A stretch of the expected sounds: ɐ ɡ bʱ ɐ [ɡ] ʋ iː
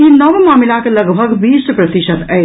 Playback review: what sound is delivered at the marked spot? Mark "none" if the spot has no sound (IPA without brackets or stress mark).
ɡ